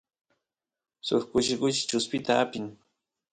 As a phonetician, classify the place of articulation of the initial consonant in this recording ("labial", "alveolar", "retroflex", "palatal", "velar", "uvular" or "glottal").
alveolar